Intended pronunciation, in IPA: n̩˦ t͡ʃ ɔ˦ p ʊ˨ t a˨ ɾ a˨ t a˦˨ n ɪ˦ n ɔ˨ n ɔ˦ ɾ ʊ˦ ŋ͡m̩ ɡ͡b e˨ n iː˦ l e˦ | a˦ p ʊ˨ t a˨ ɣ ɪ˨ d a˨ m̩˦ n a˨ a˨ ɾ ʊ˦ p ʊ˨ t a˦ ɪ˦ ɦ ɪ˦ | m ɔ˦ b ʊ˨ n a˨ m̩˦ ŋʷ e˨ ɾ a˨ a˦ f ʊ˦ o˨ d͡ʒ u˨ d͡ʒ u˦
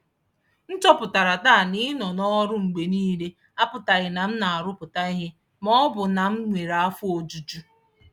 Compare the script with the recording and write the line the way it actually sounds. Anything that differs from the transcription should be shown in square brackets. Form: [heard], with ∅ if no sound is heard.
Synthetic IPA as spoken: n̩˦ t͡ʃ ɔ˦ p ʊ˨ t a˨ ɾ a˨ t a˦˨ n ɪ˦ n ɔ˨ n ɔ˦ ɾ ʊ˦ ŋ͡m̩ ɡ͡b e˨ n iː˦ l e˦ | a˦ p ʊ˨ t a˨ ɣ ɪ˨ [n] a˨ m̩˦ n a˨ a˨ ɾ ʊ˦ p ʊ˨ t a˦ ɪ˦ ɦ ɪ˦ | m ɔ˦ b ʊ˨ n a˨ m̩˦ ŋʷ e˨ ɾ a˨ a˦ f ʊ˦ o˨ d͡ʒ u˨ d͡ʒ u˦